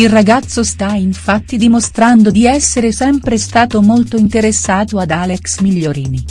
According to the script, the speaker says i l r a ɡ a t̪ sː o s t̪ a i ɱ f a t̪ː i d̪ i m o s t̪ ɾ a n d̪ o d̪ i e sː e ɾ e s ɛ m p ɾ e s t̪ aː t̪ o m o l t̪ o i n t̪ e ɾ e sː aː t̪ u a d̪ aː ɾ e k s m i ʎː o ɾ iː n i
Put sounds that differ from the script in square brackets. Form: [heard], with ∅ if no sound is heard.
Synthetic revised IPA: i l r a ɡ a t̪ sː o s t̪ a i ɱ f a t̪ː i d̪ i m o s t̪ ɾ a n d̪ o d̪ i [ɛ] sː e ɾ e s ɛ m p ɾ e s t̪ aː t̪ o m o l t̪ o i n t̪ e ɾ e sː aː t̪ [o] a d̪ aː [l] e k s m i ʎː o ɾ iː n i